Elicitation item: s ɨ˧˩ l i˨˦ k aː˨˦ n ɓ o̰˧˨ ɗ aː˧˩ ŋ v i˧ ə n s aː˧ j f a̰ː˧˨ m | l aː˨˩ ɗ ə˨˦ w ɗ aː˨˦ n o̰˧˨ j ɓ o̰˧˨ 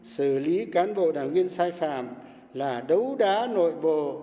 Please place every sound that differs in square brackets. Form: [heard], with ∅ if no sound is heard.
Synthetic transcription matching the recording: s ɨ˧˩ l i˨˦ k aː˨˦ n ɓ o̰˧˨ ɗ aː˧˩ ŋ v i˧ ə n s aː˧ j f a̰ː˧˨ m | l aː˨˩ ɗ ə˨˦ w ɗ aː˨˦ n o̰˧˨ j ɓ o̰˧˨